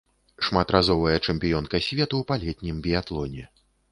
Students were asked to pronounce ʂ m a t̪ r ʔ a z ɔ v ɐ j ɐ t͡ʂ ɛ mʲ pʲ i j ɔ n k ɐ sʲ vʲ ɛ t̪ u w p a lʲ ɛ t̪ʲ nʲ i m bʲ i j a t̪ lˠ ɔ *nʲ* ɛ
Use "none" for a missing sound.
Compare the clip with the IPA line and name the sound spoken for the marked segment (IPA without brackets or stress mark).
nʲ